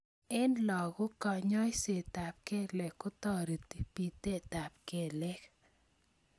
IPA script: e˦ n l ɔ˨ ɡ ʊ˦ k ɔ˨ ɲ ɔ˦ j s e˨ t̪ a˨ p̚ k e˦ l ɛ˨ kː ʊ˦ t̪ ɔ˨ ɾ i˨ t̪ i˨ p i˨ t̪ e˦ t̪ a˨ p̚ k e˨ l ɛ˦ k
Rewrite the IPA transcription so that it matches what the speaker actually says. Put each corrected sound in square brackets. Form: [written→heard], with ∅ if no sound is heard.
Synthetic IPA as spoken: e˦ n l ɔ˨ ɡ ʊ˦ k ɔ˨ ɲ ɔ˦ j s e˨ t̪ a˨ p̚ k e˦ l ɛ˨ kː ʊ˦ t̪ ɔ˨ ɾ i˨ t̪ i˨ p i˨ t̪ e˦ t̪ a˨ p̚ k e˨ l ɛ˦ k